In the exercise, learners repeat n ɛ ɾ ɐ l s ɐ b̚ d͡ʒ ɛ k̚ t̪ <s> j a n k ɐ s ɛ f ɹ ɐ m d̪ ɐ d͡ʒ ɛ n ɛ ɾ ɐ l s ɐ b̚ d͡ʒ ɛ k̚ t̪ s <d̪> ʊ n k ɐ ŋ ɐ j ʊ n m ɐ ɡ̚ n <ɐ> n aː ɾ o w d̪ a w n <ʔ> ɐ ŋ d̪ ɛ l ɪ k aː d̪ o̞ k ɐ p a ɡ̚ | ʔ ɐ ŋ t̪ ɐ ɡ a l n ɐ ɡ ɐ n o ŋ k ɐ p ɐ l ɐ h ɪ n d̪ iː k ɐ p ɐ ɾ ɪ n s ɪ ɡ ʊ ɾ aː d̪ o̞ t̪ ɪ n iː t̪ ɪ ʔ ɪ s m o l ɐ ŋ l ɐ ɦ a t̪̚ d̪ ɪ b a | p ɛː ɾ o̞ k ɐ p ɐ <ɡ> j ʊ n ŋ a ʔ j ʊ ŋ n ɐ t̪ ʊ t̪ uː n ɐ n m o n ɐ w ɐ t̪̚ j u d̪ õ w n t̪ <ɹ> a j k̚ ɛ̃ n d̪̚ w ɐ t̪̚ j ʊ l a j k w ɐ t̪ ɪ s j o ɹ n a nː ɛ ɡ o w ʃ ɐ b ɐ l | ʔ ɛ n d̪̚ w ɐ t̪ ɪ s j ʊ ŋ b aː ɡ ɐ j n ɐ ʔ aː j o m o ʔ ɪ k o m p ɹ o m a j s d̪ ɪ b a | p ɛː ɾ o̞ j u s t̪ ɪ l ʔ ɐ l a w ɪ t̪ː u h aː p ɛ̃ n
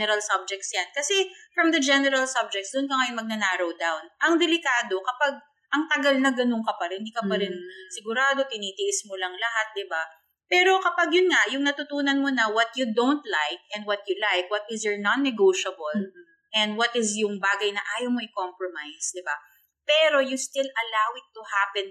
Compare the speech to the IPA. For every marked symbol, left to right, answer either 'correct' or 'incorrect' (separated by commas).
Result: correct, correct, correct, correct, correct, incorrect